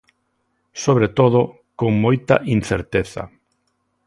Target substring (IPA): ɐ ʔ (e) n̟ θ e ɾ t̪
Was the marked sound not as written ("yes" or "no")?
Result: yes